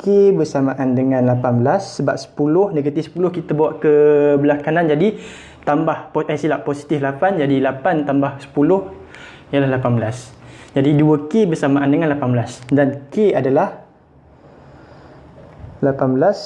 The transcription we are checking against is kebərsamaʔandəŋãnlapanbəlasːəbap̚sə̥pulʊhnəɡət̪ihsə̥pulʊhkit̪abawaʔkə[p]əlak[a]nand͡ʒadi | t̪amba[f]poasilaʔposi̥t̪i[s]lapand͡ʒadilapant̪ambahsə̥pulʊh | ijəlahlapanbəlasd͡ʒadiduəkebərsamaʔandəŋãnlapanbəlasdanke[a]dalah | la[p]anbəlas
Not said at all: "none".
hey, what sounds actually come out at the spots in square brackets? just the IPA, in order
b, a, h, f, a, p

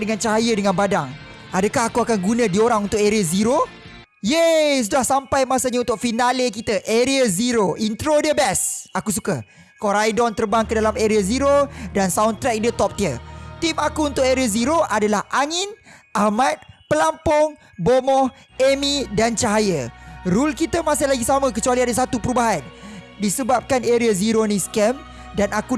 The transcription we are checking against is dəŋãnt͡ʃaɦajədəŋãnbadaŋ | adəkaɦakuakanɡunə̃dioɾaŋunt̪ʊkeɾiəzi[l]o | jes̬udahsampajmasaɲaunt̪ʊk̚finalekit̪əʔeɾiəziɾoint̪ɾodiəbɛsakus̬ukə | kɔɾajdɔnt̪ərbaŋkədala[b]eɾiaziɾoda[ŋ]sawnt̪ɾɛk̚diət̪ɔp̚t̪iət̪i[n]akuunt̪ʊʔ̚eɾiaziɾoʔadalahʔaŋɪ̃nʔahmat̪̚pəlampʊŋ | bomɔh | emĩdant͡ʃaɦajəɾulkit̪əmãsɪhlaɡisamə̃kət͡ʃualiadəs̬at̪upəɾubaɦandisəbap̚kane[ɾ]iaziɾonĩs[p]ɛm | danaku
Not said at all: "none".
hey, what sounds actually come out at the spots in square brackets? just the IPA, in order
ɾ, m, n, m, ɾ, k

